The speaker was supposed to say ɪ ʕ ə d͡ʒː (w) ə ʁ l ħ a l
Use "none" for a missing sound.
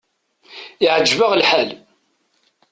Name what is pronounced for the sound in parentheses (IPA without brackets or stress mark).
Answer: v